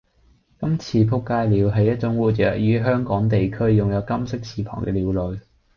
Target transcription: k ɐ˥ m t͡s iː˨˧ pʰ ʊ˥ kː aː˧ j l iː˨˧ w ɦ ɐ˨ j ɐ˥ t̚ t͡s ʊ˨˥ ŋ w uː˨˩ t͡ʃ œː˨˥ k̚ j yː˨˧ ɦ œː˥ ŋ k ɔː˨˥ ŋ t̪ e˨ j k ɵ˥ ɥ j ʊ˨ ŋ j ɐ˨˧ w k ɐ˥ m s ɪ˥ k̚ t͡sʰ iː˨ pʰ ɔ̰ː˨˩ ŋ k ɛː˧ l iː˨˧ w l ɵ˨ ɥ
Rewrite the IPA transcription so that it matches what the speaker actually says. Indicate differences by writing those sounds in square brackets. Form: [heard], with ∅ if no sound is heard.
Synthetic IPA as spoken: k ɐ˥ m [t͡sʰ] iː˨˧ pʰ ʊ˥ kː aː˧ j l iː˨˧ w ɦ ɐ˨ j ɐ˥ t̚ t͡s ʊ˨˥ ŋ w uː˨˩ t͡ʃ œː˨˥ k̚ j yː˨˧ ɦ œː˥ ŋ k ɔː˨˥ ŋ t̪ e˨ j [kʰ] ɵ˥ ɥ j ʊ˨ ŋ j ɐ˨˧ w k ɐ˥ m s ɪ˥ k̚ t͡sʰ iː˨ pʰ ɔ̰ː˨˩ ŋ k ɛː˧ l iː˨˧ w l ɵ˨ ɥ

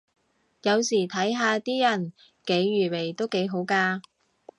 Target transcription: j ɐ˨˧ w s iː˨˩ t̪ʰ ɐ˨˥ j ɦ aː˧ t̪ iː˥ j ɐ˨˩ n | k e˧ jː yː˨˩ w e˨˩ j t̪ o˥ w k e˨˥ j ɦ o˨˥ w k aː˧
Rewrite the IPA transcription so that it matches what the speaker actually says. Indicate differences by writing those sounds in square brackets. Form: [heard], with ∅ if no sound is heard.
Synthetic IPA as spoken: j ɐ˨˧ w s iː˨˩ t̪ʰ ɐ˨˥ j ɦ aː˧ t̪ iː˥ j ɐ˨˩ n | k [e˨˥] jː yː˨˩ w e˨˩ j t̪ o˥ w k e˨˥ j ɦ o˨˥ w k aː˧

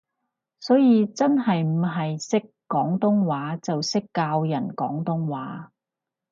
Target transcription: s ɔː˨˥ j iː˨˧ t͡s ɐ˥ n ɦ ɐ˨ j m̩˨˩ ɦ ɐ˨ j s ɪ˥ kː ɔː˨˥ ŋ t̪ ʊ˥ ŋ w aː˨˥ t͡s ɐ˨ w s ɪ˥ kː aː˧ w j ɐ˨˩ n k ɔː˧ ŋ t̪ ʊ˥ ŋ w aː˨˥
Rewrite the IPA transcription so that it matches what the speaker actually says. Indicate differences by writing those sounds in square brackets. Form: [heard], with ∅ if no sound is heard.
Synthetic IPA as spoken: s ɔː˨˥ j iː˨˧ t͡s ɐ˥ n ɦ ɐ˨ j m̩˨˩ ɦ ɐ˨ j s ɪ˥ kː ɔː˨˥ ŋ t̪ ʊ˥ ŋ w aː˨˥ t͡s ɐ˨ w s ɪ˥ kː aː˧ w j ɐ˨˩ n k [ɔː˨˥] ŋ t̪ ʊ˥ ŋ w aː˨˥

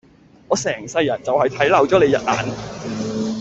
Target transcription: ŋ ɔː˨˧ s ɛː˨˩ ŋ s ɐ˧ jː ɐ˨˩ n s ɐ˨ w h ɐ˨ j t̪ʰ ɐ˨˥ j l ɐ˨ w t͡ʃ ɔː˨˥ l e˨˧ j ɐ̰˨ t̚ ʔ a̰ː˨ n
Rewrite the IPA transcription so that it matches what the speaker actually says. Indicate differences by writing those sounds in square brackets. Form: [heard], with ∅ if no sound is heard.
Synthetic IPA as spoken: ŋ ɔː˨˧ s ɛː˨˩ ŋ s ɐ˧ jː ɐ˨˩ n [t͡s] ɐ˨ w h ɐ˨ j t̪ʰ ɐ˨˥ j l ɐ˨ w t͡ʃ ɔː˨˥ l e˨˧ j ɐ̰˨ t̚ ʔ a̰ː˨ n

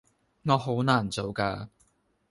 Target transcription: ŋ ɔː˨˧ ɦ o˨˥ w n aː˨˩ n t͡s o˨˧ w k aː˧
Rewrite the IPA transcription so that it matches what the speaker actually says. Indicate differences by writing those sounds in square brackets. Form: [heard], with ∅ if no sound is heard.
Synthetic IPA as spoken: ŋ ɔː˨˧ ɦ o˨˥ w n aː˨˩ n t͡s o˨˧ w k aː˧

